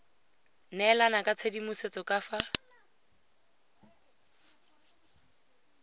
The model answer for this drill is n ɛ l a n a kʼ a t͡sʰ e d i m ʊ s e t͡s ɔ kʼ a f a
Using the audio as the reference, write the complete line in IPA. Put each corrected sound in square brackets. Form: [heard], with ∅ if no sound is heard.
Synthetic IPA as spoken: n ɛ l a n a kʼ a t͡sʰ e d i m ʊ s e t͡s ɔ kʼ a f a